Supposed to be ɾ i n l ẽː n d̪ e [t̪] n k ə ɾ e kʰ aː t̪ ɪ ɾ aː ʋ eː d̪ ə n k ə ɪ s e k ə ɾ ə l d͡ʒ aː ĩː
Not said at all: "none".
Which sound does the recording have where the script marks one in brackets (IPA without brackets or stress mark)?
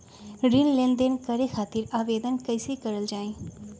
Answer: none